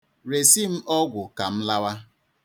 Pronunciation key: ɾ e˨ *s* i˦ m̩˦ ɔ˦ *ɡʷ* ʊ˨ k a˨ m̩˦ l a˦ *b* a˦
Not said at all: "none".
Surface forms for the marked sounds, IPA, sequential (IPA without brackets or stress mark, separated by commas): s, ɡʷ, w